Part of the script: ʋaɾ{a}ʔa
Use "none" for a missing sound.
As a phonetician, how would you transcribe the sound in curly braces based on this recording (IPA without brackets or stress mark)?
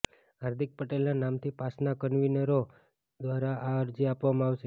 a